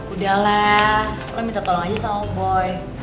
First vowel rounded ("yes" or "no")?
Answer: yes